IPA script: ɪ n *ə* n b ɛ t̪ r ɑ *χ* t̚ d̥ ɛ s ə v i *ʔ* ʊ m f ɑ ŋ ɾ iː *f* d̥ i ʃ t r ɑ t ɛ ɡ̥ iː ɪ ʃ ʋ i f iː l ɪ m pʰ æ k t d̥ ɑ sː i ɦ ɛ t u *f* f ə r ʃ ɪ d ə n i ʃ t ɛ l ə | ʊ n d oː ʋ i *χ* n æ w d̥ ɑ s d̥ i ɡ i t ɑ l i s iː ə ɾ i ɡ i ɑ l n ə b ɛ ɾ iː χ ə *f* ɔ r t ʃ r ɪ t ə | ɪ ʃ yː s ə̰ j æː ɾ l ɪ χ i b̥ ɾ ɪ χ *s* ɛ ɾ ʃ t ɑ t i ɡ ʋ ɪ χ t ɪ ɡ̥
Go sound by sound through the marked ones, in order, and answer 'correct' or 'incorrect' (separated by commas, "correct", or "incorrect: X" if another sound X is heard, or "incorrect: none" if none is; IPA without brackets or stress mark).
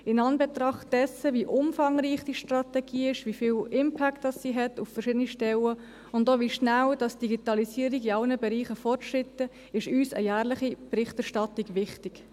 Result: incorrect: ɑ, correct, correct, incorrect: χ, correct, incorrect: ʃ, correct, incorrect: t